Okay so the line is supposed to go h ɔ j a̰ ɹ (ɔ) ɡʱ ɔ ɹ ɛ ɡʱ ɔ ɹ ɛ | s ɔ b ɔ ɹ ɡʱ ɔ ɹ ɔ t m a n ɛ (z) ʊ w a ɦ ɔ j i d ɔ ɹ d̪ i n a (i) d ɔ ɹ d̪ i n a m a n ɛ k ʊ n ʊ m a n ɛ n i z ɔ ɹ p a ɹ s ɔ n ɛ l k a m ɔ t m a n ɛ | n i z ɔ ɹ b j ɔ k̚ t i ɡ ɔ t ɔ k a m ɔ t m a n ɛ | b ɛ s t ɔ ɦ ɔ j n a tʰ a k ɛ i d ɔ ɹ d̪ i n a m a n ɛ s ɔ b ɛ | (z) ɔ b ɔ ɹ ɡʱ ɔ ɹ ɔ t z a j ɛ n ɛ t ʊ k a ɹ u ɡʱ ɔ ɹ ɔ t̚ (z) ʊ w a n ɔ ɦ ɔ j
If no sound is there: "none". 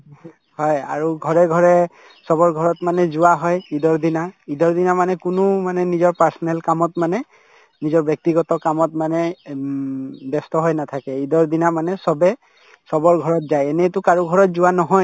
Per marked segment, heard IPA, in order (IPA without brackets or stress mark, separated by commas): u, z, i, s, z